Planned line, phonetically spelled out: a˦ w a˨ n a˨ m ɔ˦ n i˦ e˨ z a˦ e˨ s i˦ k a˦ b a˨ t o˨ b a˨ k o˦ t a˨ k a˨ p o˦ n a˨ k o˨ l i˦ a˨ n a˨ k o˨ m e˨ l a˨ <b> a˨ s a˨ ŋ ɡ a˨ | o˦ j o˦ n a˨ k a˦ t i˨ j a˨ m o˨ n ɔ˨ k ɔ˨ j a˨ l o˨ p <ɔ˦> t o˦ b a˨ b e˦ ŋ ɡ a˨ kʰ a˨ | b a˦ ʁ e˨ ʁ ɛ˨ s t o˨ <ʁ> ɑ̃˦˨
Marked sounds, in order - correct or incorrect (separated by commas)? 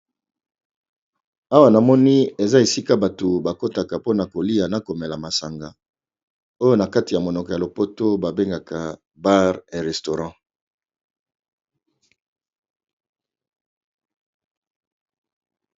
incorrect, incorrect, correct